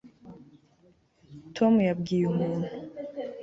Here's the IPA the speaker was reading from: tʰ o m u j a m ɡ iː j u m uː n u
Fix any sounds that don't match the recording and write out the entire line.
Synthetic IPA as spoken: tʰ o m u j a b ɡ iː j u m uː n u